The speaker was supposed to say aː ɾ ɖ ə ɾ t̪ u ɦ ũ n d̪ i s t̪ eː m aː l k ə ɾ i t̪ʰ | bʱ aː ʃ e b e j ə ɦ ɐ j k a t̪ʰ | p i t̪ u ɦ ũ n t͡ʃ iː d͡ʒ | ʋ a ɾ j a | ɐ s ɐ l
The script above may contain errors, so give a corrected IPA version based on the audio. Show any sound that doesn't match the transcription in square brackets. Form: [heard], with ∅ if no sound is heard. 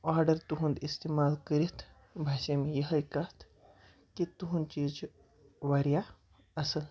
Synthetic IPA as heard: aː ɾ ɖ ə ɾ t̪ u ɦ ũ n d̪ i s t̪ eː m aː l k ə ɾ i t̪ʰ | bʱ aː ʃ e [m] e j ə ɦ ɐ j k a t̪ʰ | [k] i t̪ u ɦ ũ n t͡ʃ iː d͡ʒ | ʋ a ɾ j a | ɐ s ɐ l